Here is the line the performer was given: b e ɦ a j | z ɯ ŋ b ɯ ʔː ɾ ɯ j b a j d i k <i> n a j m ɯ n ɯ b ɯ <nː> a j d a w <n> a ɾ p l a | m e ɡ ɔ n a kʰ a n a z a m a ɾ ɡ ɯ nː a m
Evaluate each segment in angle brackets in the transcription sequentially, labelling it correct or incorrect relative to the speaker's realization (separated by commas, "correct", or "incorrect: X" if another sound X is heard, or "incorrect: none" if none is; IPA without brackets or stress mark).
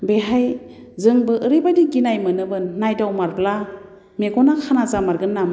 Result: correct, correct, incorrect: m